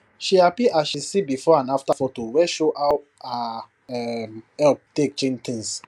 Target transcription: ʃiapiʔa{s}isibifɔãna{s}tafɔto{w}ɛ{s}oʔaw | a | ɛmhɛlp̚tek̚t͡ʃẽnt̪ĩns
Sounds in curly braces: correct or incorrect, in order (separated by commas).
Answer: incorrect, incorrect, correct, incorrect